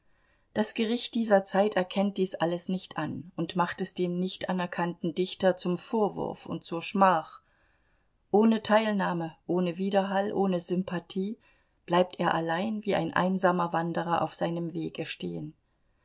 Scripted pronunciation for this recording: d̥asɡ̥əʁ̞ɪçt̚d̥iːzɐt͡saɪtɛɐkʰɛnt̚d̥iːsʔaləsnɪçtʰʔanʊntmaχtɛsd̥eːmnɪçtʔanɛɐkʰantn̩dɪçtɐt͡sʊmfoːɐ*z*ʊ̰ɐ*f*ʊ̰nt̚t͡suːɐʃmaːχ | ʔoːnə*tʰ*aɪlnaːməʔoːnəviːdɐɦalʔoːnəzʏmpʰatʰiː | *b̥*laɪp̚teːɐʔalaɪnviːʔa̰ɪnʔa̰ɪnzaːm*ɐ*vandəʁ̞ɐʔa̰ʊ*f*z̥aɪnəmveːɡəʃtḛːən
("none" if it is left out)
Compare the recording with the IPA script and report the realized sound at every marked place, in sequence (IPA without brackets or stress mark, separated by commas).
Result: v, f, tʰ, b̥, ɐ, f